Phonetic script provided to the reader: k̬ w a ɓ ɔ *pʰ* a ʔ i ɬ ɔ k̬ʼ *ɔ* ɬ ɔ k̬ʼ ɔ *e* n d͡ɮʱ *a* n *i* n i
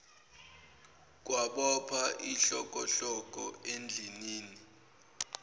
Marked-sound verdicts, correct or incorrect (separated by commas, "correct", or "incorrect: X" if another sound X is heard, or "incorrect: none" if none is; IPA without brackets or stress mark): correct, correct, correct, incorrect: i, incorrect: iː